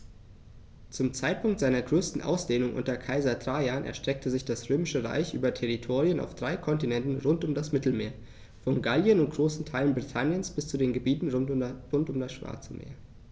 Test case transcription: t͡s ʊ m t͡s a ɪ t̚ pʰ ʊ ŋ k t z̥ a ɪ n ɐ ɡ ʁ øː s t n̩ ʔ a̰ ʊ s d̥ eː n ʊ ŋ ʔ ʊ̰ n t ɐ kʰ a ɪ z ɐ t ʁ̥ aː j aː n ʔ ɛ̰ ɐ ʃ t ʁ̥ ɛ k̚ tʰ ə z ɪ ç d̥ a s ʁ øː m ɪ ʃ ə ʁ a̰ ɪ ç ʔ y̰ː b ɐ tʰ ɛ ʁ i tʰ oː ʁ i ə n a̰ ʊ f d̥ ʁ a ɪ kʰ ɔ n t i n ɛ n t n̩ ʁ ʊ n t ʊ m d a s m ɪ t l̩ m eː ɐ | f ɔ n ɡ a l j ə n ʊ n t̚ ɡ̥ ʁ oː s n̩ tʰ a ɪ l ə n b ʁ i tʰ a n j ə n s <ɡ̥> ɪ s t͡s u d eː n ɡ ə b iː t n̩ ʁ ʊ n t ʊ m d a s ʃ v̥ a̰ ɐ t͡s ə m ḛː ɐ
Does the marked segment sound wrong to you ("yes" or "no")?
yes